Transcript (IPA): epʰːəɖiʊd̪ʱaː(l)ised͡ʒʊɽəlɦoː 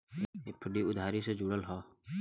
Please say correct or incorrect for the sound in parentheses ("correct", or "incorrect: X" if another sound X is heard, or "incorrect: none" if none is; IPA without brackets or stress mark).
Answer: incorrect: ɾ